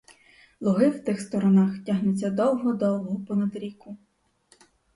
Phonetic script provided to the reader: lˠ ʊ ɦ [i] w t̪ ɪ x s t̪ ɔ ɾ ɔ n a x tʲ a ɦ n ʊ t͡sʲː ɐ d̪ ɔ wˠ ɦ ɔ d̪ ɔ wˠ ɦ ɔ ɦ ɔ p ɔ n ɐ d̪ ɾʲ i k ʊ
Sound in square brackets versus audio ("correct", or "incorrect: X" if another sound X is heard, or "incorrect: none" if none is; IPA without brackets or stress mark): incorrect: ɪ